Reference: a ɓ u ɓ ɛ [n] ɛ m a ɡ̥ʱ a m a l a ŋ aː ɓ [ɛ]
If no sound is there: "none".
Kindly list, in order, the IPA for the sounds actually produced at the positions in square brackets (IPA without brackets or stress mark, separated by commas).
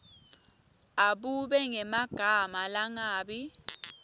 ŋ, i